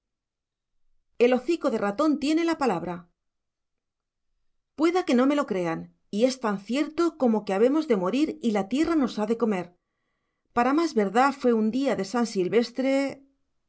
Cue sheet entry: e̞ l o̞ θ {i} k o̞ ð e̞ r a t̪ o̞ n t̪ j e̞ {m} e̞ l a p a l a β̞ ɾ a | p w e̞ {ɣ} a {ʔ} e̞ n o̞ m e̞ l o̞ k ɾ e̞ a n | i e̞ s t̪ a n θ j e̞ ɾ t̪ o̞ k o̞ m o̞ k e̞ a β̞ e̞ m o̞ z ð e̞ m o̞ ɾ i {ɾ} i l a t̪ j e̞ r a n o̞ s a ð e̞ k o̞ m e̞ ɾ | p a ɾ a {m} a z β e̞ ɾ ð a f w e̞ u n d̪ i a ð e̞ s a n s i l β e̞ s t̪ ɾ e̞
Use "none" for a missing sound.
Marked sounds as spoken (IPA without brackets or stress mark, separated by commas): i, n, ð, k, ɾ, m